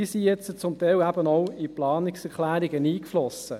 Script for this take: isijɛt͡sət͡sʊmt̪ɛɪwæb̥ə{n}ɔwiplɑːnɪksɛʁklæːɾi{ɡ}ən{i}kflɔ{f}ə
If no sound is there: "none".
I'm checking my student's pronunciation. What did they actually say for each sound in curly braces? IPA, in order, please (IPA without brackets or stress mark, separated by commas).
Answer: n, ɡ, iː, s